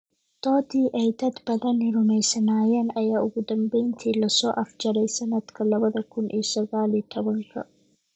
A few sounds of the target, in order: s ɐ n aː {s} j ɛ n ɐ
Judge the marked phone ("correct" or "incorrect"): incorrect